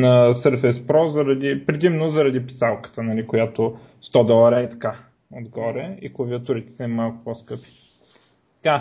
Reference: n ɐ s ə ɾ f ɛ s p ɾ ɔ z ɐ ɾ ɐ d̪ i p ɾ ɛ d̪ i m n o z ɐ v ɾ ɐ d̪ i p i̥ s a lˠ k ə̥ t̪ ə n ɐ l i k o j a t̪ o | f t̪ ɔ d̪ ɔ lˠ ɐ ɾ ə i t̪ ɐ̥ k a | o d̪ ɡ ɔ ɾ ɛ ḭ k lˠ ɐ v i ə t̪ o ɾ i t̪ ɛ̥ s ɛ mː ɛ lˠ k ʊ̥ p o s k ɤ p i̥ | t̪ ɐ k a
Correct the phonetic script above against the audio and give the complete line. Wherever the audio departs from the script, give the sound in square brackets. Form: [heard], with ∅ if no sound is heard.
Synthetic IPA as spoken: n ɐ s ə ɾ f ɛ s p ɾ ɔ z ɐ ɾ ɐ d̪ i p ɾ ɛ d̪ i m n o z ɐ [∅] ɾ ɐ d̪ i p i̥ s a lˠ k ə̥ t̪ ə n ɐ l i k o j a t̪ o | [s] t̪ ɔ d̪ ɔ lˠ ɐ ɾ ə i t̪ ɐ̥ k a | o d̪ ɡ ɔ ɾ ɛ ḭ k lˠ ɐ v i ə t̪ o ɾ i t̪ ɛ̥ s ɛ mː [a] lˠ k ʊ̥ p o s k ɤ p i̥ | t̪ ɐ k a